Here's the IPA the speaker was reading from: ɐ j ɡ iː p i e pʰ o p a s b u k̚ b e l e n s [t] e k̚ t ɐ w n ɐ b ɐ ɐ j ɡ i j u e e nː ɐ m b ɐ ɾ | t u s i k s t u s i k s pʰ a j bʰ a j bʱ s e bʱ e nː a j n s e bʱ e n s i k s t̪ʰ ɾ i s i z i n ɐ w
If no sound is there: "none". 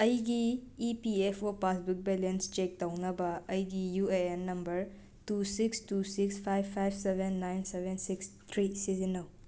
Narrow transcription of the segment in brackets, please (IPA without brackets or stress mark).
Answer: t͡ʃ